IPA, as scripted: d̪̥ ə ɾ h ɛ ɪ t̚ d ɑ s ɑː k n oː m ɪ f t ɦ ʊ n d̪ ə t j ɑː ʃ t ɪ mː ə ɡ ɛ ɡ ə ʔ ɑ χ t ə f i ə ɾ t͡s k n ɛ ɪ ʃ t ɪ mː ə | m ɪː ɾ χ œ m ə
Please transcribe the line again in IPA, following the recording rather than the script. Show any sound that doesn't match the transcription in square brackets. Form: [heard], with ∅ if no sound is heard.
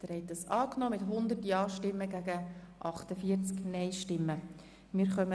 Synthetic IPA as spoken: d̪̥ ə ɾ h ɛ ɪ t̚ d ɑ s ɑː k n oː m ɪ [∅] t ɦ ʊ n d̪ ə t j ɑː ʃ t ɪ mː ə ɡ [æ] ɡ ə ʔ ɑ χ t ə f i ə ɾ t͡s k n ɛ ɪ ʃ t ɪ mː ə | m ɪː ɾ χ œ m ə